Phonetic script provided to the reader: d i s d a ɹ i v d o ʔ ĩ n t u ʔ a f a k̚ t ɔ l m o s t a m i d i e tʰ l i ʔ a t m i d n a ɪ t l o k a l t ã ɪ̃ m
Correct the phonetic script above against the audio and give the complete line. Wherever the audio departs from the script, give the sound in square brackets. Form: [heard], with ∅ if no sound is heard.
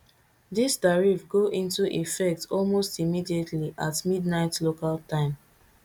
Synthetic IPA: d i s d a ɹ i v [ɡ] o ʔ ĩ n t u ʔ [i] f [ɛ] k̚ t ɔ l m o s t [i] m i d i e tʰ l i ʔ a t m i d n a ɪ t l o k a l t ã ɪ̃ m